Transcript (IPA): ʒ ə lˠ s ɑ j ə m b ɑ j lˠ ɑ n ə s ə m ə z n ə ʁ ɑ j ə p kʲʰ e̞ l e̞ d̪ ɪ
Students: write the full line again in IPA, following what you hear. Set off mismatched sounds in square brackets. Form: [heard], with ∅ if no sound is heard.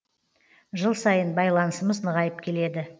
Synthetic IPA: ʒ ə lˠ s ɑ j ə [n] b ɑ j lˠ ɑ n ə s ə m ə z n ə ʁ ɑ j ə p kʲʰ e̞ l e̞ d̪ ɪ